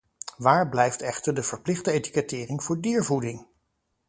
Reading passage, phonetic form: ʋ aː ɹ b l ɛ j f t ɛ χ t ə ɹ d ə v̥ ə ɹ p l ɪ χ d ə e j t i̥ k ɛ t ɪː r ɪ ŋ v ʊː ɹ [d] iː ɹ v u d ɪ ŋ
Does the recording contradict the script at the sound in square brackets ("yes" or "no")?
no